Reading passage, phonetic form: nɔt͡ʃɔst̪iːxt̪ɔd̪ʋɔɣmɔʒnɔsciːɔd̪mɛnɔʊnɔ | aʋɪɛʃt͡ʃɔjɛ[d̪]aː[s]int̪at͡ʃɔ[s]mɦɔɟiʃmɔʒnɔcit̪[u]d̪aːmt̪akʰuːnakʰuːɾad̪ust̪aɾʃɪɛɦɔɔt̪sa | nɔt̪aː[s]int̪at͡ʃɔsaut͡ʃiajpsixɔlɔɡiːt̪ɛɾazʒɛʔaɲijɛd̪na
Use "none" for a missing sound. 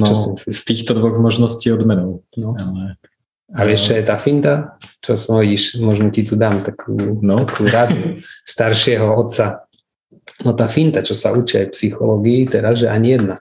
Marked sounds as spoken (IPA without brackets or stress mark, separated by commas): t̪, f, s, u, f